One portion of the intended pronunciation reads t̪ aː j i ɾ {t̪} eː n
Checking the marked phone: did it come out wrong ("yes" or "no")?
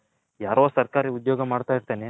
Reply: no